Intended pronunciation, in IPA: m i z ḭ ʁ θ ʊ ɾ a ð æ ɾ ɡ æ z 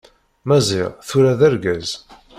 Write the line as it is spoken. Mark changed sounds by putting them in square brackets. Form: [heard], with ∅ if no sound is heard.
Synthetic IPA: m [æ] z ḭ ʁ θ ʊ ɾ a ð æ ɾ ɡ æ z